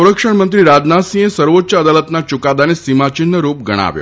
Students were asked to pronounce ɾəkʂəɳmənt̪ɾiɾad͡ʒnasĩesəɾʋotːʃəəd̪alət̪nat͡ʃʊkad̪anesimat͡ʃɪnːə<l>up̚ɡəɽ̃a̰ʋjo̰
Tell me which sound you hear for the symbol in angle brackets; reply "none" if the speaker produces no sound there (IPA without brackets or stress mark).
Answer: ɾ